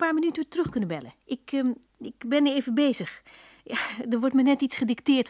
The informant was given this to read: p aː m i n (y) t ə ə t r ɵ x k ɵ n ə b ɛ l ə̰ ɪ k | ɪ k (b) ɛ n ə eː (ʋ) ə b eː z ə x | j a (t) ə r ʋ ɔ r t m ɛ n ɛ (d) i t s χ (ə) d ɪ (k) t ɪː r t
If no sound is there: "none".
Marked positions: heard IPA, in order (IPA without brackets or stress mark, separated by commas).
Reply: y, b, v, d, t, ə, k